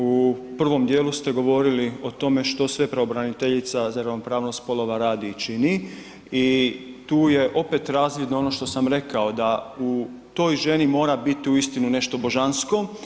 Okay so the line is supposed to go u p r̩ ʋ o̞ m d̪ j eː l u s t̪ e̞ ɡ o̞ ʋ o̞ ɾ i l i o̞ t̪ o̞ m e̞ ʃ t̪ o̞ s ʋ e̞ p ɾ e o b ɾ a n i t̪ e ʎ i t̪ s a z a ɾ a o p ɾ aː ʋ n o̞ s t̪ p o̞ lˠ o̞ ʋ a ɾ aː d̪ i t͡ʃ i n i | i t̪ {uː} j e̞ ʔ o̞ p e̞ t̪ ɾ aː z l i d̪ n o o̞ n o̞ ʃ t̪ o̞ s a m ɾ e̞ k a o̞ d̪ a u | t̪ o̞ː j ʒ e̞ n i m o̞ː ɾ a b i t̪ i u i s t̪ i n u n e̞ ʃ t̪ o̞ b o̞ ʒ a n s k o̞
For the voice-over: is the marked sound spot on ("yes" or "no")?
yes